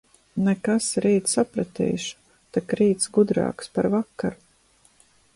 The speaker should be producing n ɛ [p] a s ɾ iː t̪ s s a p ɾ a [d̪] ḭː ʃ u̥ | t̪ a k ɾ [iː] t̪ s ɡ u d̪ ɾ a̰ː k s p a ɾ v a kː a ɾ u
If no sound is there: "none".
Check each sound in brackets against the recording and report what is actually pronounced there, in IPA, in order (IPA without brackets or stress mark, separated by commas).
k, t̪, iː